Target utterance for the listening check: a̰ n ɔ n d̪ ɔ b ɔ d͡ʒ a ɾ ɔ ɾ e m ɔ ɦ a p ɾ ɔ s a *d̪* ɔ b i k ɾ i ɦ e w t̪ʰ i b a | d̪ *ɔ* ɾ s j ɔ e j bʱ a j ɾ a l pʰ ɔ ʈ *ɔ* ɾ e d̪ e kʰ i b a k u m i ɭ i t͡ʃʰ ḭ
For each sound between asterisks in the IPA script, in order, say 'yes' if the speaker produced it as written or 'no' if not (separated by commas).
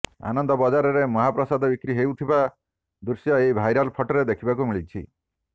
yes, no, yes